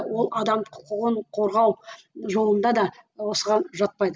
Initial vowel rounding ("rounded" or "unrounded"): rounded